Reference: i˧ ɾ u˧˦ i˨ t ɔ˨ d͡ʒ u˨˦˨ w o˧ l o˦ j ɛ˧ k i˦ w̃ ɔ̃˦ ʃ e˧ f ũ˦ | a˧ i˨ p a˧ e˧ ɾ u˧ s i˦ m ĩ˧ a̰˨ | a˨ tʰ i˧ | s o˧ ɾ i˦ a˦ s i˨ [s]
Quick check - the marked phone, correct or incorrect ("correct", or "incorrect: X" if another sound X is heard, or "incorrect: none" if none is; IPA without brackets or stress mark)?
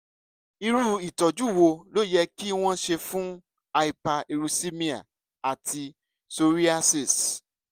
correct